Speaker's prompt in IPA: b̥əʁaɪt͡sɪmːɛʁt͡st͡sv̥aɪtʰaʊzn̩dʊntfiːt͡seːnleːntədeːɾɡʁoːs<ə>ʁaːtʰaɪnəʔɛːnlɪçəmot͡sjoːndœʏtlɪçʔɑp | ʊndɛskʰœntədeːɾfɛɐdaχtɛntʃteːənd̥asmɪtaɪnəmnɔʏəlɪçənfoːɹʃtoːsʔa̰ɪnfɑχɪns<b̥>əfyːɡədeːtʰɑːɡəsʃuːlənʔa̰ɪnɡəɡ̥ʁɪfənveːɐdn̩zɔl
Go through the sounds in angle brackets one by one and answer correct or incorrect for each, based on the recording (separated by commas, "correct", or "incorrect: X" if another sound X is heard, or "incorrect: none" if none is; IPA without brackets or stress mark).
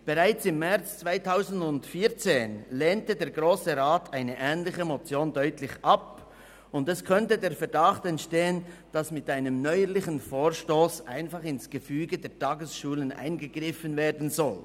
correct, incorrect: ɡ̥